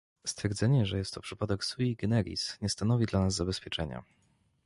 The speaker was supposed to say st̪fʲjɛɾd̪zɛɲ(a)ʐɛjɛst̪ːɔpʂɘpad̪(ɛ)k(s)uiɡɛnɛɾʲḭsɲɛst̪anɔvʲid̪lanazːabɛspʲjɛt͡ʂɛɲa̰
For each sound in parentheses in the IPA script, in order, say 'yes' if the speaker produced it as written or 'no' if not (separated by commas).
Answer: no, yes, yes